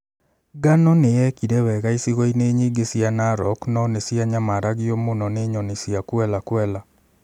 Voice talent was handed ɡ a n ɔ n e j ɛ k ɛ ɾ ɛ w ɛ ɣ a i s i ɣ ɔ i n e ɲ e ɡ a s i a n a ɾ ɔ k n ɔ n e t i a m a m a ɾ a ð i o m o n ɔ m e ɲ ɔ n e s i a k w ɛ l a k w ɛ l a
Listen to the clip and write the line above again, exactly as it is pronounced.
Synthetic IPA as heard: ɡ a n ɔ n e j ɛ k i ɾ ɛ w ɛ ɣ a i s i ɣ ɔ i n e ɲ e ɡ e s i a n a ɾ ɔ k n ɔ n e s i a ɲ a m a ɾ a ɣ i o m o n ɔ n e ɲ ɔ n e s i a k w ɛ l a k w ɛ l a